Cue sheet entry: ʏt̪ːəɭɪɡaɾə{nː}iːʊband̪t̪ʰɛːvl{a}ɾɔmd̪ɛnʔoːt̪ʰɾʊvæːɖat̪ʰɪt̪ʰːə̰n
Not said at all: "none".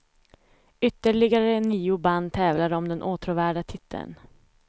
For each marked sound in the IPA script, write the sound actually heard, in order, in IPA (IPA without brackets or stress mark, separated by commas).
n, a